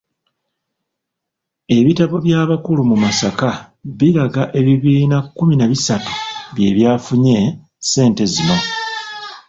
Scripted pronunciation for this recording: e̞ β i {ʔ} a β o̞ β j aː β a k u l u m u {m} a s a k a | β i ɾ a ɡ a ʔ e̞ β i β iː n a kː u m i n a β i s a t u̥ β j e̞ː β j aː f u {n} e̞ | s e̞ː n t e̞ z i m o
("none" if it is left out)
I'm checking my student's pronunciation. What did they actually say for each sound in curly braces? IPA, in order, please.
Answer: t, m, ɲ

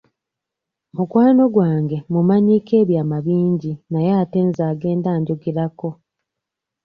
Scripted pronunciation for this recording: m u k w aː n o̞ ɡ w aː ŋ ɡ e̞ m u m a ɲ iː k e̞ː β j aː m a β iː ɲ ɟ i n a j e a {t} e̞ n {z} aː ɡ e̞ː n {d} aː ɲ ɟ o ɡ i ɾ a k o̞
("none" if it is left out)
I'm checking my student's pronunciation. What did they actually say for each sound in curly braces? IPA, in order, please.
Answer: t, z, d

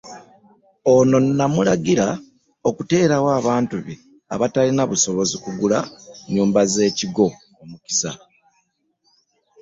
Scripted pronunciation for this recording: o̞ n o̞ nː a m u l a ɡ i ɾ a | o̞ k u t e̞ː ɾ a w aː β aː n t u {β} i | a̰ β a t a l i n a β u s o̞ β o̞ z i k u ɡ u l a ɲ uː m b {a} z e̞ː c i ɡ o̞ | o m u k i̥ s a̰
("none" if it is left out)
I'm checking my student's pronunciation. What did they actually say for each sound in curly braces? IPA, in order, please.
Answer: β, a

